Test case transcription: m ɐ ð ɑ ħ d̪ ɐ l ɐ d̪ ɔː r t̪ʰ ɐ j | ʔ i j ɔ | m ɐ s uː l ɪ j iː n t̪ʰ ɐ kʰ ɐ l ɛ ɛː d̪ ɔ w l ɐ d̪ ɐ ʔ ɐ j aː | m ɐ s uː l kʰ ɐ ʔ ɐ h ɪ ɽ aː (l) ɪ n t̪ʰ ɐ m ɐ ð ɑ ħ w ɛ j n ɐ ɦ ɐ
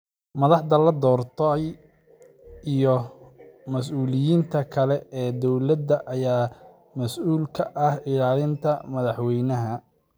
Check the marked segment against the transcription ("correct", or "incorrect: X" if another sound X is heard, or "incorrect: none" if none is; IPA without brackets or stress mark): correct